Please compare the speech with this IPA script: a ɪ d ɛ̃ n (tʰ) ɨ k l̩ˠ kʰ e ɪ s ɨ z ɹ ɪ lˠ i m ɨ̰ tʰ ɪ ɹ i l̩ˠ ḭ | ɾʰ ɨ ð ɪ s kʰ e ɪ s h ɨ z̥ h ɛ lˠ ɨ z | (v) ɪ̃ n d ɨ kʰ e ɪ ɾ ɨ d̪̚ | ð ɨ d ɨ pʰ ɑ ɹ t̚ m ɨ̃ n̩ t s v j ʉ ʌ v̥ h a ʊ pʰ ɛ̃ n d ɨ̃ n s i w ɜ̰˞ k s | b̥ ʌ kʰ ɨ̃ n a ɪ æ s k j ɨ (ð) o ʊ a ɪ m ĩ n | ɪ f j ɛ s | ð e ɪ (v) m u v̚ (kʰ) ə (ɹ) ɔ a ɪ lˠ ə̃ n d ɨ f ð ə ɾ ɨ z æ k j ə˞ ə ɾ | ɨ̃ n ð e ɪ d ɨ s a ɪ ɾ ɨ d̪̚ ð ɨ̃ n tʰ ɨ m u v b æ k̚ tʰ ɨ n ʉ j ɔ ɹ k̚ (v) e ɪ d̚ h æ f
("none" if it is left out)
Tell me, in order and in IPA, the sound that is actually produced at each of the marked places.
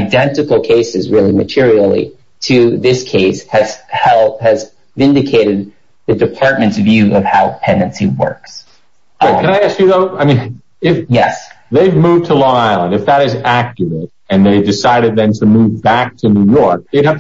t, v, ð, v, tʰ, l, ð

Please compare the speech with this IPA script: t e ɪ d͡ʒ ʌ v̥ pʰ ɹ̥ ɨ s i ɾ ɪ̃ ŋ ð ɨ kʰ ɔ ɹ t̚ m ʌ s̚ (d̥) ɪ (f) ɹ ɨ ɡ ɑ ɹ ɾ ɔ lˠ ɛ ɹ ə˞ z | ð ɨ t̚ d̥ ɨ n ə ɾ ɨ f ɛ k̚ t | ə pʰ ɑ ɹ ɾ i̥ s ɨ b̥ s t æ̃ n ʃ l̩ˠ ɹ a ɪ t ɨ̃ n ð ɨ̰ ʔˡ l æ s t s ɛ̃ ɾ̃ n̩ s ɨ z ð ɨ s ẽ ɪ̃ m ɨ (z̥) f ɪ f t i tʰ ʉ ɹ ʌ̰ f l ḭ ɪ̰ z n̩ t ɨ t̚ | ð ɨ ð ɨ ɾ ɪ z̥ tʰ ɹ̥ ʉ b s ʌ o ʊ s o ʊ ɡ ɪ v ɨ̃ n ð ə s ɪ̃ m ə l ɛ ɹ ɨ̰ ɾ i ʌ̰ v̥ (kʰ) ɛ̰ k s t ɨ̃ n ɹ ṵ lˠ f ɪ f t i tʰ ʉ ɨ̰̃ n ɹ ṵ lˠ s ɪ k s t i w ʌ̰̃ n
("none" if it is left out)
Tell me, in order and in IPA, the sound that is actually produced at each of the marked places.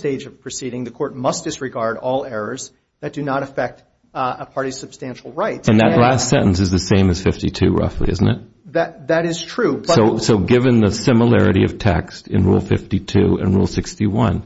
d̥, s, z̥, tʰ

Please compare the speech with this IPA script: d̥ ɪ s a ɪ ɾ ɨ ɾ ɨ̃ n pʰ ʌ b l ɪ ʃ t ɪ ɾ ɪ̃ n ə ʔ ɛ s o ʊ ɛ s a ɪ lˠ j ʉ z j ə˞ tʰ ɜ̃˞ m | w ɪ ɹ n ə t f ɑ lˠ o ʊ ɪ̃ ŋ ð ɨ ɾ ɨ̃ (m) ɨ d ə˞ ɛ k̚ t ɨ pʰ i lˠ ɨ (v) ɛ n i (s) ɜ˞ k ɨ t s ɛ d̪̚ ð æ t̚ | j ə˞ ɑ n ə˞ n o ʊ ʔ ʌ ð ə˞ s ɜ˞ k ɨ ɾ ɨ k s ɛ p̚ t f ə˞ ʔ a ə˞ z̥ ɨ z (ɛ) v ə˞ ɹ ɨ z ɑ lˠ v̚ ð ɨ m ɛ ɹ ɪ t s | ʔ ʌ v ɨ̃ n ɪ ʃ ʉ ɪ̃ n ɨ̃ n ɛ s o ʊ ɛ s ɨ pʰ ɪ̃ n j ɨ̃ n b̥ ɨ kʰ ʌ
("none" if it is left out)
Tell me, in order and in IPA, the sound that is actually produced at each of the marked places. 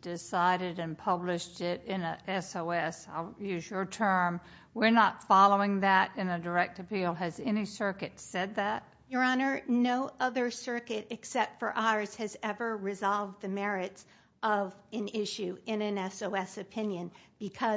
n, z, s, ɛ

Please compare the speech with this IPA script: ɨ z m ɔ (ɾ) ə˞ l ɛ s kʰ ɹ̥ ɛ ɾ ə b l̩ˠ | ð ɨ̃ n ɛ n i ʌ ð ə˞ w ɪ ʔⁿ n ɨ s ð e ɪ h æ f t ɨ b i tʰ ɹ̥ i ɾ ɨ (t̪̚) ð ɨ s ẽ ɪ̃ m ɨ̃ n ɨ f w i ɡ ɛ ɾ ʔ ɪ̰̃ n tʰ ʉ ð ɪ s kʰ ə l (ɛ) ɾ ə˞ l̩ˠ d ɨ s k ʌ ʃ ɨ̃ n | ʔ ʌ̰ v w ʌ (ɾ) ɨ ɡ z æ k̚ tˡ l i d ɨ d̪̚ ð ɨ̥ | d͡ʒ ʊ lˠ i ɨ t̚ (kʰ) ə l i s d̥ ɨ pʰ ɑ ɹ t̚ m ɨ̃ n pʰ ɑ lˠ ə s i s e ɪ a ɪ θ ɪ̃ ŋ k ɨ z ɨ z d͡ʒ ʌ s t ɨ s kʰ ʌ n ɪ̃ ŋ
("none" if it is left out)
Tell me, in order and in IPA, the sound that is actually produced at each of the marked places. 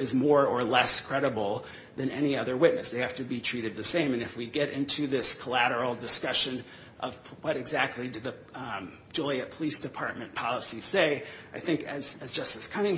ɹ, d̪̚, æ, ɾ, pʰ

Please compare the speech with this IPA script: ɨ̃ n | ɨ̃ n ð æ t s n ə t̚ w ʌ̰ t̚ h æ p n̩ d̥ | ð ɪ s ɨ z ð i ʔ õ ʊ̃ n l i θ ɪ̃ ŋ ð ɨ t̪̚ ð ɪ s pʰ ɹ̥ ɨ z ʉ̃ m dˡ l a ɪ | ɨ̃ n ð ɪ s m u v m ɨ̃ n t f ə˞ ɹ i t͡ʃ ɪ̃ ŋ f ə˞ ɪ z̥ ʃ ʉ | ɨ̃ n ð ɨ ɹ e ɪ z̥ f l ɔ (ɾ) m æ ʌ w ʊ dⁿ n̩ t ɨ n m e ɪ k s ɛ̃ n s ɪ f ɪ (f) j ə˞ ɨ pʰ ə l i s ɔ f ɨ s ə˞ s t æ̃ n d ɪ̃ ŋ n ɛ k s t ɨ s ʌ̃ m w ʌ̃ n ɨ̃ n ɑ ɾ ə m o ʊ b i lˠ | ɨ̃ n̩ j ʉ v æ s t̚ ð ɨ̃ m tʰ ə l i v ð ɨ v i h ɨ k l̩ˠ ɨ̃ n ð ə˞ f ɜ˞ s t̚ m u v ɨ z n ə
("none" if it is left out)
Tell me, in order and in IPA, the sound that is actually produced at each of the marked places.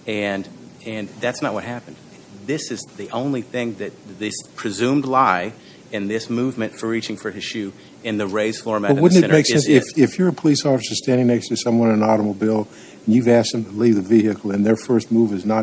ɹ, f

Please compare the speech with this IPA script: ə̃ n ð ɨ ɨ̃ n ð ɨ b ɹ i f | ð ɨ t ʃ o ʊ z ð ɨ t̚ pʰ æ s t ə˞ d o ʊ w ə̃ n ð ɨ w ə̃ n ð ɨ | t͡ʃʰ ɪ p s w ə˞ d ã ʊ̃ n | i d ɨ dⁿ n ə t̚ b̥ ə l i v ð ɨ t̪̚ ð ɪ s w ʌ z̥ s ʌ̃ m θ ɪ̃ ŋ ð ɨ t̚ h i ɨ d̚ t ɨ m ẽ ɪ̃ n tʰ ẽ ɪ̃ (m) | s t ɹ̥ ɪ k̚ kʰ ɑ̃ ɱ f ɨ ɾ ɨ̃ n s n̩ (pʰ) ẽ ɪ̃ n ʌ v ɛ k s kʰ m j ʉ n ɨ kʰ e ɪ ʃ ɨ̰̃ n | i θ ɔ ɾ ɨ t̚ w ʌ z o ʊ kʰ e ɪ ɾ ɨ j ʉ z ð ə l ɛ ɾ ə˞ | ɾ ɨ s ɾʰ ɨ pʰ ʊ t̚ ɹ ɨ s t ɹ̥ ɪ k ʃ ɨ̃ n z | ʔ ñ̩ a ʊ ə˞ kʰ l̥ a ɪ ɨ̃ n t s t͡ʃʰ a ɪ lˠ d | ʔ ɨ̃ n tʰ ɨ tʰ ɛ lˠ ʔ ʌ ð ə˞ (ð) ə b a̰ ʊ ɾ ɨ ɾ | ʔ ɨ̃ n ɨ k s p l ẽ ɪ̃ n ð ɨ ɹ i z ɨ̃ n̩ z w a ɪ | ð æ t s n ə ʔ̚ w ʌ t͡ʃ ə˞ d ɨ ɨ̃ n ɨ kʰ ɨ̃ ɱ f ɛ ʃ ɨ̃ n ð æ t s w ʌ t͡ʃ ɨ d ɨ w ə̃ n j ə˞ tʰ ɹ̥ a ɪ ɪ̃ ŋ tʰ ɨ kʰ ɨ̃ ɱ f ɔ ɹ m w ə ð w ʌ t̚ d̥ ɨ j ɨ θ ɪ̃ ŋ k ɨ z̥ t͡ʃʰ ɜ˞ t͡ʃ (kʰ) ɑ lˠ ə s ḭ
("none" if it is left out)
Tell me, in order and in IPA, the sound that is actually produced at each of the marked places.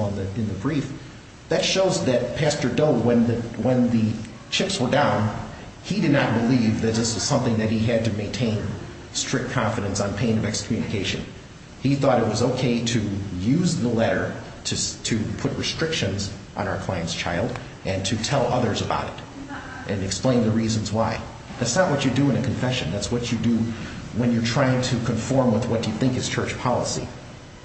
n, pʰ, z, pʰ

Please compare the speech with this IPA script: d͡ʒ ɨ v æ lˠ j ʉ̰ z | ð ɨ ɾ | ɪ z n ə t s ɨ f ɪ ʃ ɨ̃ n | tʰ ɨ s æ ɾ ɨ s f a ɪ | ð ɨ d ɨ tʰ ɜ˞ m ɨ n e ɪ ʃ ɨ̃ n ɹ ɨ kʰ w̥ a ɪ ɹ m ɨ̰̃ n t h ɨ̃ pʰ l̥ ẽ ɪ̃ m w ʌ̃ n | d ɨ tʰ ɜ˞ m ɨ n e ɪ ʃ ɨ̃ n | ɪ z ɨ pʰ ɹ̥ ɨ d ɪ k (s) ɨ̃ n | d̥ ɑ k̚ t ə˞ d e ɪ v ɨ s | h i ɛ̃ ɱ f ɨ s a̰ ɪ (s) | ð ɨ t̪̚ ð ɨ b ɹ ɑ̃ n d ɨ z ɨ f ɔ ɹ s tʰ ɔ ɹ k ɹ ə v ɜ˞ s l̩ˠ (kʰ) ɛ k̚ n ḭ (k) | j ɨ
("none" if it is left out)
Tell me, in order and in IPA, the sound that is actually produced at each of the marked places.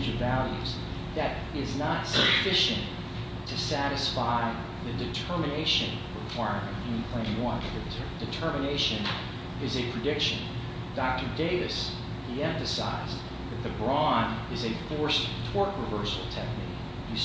ʃ, z, tʰ, k

